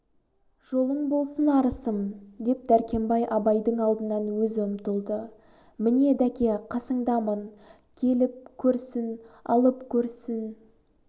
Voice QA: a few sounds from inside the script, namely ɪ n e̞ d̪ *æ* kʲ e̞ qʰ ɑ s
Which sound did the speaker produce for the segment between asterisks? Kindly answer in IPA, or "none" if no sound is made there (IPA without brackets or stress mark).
æ